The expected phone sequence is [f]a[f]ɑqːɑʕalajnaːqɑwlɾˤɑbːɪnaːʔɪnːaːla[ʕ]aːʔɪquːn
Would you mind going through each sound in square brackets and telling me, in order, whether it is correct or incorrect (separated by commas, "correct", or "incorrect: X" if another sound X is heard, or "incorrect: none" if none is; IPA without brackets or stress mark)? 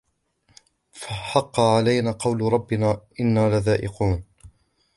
correct, incorrect: ħ, incorrect: ð